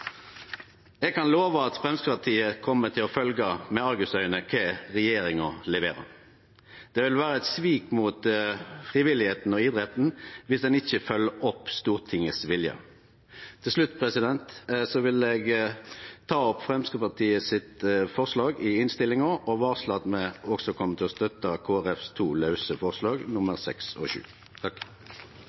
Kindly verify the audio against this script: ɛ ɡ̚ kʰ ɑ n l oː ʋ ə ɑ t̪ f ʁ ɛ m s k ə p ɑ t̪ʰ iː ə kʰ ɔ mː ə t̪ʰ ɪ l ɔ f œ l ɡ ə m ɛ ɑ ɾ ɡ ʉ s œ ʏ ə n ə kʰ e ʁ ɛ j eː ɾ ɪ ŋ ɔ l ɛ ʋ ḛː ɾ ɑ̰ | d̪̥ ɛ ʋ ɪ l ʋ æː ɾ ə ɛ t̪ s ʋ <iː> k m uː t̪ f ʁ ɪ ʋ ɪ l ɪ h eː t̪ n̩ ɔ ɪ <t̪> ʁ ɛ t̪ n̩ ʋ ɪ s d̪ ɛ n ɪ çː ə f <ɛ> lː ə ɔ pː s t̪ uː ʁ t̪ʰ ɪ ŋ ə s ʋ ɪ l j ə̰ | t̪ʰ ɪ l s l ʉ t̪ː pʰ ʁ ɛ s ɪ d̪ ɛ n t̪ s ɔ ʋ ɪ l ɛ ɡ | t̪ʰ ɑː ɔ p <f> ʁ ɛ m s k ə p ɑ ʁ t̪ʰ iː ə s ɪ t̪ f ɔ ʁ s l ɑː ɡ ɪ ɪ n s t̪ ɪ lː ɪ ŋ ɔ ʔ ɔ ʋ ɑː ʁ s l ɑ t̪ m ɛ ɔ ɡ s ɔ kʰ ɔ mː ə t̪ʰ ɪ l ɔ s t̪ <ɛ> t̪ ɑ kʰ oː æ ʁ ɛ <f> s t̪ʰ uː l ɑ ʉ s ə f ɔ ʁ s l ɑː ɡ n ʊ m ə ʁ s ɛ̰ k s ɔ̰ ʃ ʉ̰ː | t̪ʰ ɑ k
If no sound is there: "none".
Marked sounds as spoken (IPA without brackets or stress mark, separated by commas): iː, d̪, œ, f, œ, f